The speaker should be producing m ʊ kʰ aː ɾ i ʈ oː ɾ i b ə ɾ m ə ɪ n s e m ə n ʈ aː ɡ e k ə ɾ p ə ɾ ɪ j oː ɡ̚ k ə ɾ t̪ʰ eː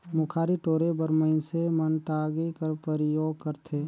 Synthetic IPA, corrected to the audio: m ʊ kʰ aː ɾ i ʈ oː ɾ e b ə ɾ m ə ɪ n s e m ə n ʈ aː ɡ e k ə ɾ p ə ɾ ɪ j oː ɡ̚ k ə ɾ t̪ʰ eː